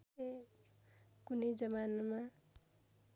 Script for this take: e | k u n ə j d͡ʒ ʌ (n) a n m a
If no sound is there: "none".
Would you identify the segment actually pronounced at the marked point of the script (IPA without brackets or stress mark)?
m